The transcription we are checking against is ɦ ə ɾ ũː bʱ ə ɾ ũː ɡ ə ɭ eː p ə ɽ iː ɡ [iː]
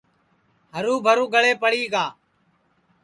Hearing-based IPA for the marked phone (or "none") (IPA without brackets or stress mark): aː